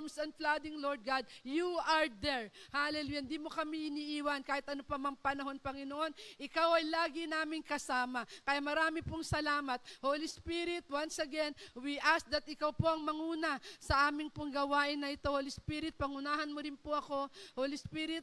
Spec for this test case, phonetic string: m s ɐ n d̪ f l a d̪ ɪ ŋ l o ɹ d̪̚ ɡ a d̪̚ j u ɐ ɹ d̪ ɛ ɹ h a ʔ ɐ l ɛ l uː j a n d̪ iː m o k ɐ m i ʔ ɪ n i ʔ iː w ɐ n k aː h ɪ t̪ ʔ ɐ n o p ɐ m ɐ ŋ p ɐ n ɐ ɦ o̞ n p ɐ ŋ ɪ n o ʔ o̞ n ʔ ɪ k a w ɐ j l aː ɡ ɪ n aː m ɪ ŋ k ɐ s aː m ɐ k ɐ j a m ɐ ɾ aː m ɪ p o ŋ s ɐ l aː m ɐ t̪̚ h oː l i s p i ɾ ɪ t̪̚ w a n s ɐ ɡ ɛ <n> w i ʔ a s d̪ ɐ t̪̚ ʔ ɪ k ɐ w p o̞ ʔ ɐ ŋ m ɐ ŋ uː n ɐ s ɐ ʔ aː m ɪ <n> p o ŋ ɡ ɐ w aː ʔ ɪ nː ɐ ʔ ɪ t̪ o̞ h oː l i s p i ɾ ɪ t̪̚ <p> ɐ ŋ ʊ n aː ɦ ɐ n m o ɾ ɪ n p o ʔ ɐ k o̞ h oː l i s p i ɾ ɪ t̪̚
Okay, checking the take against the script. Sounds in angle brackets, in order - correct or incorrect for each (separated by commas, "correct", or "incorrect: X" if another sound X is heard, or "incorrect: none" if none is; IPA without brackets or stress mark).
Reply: correct, incorrect: ŋ, correct